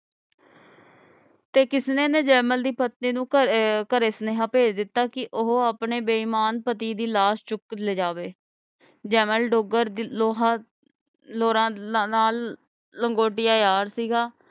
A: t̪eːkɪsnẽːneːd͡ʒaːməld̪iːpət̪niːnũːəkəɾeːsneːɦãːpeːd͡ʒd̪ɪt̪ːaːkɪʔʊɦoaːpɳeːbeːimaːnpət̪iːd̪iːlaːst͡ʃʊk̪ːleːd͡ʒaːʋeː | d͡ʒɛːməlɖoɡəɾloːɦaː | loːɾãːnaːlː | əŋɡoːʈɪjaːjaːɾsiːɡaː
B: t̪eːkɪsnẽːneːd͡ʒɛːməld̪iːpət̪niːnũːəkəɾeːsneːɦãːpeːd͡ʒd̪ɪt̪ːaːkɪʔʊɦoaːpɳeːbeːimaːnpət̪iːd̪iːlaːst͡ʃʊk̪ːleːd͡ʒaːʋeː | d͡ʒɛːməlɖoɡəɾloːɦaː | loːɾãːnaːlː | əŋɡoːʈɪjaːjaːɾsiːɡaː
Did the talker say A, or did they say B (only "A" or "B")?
B